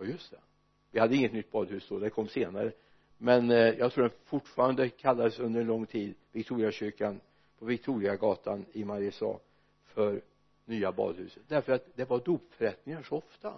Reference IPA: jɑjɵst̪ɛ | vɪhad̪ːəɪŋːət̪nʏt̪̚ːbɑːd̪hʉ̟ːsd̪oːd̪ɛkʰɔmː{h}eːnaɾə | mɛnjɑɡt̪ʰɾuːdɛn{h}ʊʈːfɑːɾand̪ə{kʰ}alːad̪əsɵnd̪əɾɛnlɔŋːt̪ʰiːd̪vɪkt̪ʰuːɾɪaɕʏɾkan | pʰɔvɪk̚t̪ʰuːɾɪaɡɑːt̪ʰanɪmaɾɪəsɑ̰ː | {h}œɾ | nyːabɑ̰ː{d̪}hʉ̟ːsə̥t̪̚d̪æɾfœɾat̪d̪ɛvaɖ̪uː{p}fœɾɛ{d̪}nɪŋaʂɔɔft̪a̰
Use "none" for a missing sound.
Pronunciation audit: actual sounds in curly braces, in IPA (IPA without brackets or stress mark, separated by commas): s, f, kʰ, f, d̪, p, t̪